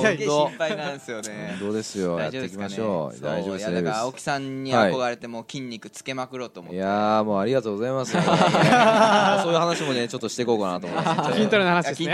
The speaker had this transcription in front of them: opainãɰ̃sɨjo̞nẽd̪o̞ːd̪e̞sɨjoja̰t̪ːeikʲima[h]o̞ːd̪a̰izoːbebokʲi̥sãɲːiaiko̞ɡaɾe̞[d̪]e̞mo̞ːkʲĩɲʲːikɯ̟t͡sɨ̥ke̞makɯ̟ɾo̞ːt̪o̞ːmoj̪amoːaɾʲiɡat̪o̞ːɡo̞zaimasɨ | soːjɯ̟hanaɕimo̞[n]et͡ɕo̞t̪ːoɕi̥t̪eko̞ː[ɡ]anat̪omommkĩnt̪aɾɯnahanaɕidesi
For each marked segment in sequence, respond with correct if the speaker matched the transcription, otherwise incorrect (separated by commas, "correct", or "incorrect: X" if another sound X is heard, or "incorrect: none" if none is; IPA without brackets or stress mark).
incorrect: ɕ, incorrect: t̪, correct, incorrect: k